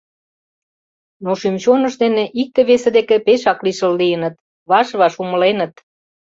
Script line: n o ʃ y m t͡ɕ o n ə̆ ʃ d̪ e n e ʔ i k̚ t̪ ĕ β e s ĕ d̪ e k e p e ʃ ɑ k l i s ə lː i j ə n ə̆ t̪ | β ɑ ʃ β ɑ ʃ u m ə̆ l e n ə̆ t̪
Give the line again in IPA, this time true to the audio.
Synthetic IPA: n o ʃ y m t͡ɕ o n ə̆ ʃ d̪ e n e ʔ i k̚ t̪ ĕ β e s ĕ d̪ e k e p e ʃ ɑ k l i ʃ ə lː i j ə n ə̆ t̪ | β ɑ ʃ β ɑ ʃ u m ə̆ l e n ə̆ t̪